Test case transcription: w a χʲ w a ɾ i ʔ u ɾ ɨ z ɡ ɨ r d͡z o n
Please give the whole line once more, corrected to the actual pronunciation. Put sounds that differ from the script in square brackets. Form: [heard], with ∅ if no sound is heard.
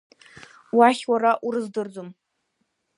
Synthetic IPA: w a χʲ w a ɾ [a] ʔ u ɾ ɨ z [d] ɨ r d͡z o [m]